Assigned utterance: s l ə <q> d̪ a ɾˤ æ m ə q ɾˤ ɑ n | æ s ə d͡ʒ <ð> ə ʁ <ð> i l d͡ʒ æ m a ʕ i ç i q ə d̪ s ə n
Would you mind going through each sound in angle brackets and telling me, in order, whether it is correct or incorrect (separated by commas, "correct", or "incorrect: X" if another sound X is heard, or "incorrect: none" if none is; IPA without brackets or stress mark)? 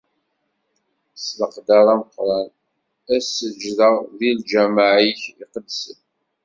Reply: correct, correct, correct